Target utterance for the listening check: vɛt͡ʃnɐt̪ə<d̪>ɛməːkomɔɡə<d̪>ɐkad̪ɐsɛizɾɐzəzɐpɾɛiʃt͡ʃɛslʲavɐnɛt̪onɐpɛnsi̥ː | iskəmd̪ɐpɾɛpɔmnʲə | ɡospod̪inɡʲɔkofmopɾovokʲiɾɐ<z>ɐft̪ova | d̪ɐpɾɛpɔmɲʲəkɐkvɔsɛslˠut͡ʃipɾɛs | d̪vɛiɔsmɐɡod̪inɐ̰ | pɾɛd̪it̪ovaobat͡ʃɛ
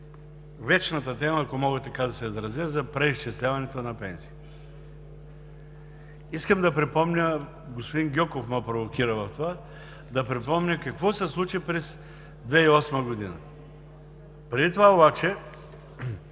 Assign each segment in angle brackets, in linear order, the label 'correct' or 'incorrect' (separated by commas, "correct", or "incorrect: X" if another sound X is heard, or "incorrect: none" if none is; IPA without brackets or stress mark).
incorrect: t̪, incorrect: t̪, incorrect: v